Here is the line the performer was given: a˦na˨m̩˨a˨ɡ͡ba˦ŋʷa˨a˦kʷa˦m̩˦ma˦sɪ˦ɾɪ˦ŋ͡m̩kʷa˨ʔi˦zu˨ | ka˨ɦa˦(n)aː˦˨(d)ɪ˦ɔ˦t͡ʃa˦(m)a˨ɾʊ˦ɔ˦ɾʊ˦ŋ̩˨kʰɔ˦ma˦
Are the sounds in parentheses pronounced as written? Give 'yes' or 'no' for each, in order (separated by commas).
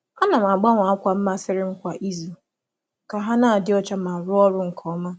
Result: yes, yes, yes